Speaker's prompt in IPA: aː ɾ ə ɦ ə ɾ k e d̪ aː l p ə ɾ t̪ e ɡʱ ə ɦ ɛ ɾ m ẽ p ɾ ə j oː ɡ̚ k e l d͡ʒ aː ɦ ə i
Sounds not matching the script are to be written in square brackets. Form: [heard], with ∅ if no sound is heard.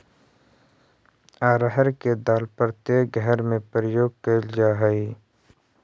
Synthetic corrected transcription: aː ɾ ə ɦ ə ɾ k e d̪ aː l p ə ɾ t̪ e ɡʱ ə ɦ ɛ ɾ m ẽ p ɾ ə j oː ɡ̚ k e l d͡ʒ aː ɦ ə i